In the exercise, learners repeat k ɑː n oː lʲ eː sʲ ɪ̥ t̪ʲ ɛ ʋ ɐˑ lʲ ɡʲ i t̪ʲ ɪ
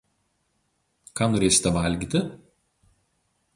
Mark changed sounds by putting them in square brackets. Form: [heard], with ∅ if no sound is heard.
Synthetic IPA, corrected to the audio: k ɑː n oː [ɾʲ] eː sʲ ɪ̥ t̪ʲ ɛ ʋ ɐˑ lʲ ɡʲ i t̪ʲ ɪ